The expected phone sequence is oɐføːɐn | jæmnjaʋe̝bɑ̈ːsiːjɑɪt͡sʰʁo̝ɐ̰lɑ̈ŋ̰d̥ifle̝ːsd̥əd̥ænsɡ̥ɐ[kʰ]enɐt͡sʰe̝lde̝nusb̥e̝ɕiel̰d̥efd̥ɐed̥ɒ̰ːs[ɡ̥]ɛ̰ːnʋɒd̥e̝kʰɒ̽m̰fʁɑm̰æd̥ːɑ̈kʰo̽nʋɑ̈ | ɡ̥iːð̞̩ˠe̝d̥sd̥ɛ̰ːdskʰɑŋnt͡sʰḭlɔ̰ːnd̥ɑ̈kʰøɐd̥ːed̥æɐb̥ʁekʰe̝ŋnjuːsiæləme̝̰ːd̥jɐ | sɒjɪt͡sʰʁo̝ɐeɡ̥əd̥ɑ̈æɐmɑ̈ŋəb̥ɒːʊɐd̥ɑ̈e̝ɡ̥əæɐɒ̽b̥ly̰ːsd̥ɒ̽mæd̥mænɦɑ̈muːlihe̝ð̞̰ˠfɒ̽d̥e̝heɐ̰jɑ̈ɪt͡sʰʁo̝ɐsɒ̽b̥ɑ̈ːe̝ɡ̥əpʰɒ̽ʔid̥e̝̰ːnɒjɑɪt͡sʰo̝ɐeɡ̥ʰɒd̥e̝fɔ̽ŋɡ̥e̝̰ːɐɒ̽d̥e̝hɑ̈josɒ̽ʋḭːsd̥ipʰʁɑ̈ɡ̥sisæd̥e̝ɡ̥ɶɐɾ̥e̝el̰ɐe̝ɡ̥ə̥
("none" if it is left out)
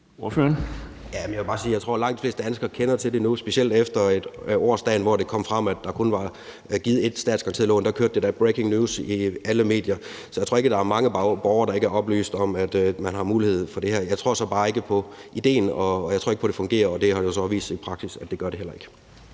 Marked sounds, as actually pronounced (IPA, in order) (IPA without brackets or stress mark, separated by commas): kʰ, d̥